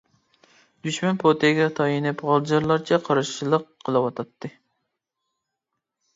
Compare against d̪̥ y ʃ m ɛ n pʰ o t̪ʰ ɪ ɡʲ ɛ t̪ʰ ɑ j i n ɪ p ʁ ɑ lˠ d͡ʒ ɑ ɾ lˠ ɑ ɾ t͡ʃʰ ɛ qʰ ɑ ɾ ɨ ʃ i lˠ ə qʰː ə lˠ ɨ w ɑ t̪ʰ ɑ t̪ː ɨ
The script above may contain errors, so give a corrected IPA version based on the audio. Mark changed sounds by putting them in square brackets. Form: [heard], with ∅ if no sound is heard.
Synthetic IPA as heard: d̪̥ y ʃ m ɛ n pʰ o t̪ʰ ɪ ɡʲ ɛ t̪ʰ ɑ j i n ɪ p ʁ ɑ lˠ d͡ʒ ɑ ɾ lˠ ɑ ɾ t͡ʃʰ ɛ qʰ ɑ ɾ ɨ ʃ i lˠ ə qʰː ə lˠ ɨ w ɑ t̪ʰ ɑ t̪ː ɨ